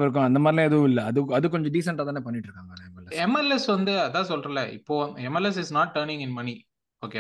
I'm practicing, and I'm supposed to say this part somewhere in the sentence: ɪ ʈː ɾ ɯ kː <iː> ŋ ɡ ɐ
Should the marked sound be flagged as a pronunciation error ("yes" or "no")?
yes